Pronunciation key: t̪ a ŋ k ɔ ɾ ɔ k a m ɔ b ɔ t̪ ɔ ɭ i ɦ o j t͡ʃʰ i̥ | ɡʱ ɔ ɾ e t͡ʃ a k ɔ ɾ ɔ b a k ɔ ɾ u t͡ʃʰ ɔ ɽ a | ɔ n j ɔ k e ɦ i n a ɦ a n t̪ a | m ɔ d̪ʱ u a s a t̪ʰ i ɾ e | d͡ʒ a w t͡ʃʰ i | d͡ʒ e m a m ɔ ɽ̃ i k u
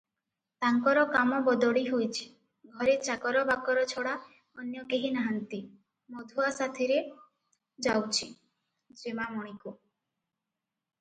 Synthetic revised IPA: t̪ a ŋ k ɔ ɾ ɔ k a m ɔ b ɔ d̪ ɔ ɽ i ɦ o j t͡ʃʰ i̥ | ɡʱ ɔ ɾ e t͡ʃ a k ɔ ɾ ɔ b a k ɔ ɾ ɔ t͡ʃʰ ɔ ɽ a | ɔ n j ɔ k e ɦ i n a ɦ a n t̪ i | m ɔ d̪ʱ u a s a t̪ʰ i ɾ e | d͡ʒ a w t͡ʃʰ i | d͡ʒ e m a m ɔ ɽ̃ i k u